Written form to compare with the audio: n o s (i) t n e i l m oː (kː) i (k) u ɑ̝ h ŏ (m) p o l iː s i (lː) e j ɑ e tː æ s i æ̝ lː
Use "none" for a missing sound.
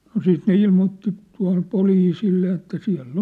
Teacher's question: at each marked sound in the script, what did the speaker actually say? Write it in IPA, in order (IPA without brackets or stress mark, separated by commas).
iː, tː, t, m, lː